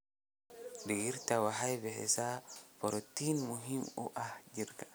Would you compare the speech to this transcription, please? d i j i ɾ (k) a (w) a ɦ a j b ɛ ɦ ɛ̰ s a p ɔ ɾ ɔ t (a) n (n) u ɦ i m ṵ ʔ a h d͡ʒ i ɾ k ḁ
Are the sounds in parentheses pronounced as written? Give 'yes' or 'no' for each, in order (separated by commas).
no, yes, no, no